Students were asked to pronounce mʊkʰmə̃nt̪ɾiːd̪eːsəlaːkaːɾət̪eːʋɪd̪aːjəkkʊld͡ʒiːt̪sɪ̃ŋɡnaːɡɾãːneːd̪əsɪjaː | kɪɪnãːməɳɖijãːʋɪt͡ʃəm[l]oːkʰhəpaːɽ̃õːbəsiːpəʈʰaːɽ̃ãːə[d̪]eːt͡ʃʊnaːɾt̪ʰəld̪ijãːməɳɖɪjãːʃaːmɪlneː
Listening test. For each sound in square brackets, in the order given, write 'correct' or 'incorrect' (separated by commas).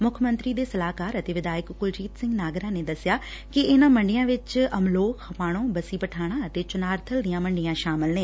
correct, incorrect